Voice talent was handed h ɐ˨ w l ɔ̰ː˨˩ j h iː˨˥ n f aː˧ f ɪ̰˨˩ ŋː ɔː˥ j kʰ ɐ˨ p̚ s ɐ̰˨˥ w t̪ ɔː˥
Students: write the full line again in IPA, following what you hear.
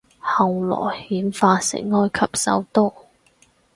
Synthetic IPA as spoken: h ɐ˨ w l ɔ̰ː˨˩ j h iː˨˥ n f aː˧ s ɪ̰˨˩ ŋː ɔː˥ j kʰ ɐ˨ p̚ s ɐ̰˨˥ w t̪ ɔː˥